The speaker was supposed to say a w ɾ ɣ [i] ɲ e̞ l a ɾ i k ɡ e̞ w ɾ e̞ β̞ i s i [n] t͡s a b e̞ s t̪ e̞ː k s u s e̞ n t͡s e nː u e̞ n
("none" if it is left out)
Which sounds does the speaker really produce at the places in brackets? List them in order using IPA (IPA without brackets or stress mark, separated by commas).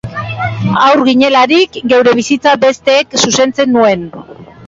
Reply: i, none